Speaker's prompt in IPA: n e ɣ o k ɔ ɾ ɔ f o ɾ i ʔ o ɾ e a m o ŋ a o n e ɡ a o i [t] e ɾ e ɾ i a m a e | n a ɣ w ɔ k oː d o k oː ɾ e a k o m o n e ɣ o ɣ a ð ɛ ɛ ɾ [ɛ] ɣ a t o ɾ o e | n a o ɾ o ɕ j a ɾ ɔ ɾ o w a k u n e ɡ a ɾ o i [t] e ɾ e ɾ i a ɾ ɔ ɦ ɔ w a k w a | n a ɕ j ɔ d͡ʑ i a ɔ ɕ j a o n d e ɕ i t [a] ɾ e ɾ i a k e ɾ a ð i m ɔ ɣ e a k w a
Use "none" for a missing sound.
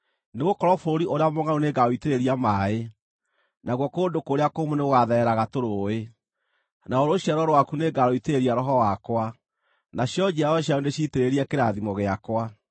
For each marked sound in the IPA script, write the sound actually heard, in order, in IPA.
t, a, t, e

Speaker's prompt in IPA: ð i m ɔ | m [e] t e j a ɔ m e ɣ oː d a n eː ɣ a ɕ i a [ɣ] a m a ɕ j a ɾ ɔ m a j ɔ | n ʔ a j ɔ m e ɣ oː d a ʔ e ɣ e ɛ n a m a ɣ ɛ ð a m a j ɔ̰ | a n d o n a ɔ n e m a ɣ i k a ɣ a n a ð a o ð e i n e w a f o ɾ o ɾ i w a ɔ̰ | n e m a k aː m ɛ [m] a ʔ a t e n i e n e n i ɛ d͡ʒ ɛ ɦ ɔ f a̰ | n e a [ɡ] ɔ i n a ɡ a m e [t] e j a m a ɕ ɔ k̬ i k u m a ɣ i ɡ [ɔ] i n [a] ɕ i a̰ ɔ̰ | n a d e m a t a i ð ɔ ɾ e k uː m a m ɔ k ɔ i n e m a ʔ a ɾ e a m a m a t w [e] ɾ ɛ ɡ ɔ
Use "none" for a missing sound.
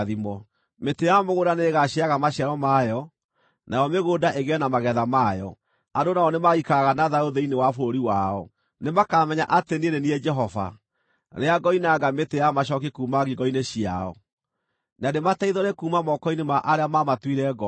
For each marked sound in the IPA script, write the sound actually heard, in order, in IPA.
e, ɣ, ɲ, ɡ, t, ɔ, e, i

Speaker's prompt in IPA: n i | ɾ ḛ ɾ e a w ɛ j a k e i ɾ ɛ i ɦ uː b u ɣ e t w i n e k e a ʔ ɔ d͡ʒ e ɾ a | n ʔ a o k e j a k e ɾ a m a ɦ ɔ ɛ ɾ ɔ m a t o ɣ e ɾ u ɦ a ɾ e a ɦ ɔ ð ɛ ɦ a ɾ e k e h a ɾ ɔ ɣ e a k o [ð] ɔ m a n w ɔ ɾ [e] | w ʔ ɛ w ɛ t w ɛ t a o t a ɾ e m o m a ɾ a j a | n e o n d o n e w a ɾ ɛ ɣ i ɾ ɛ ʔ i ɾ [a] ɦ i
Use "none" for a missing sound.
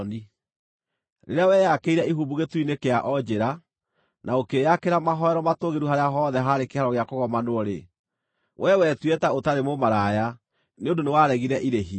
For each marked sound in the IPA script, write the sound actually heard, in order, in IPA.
ɣ, e, e

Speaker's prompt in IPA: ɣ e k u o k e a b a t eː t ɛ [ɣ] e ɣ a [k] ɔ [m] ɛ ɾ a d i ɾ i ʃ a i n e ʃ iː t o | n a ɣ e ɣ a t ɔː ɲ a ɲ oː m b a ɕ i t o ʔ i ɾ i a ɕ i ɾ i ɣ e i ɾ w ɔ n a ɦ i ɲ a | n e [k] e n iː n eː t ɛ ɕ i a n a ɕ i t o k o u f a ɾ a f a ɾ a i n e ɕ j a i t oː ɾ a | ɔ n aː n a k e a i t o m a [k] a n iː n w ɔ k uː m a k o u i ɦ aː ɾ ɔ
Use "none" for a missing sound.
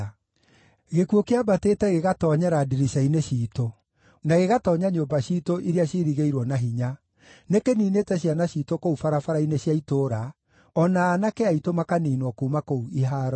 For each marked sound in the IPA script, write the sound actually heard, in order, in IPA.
ɣ, t, ɲ, k, k

